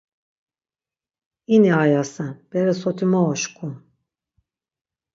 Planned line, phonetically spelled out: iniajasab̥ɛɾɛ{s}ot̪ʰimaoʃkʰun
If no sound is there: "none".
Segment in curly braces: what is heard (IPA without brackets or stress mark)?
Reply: s